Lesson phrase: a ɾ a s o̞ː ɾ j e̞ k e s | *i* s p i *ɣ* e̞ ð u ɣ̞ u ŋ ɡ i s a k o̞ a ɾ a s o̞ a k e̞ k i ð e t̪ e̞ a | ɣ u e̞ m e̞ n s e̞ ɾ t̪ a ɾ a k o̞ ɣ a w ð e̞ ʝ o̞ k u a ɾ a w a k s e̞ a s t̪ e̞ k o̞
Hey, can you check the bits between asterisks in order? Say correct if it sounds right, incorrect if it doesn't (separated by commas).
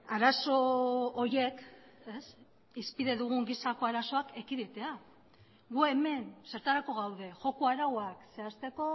correct, incorrect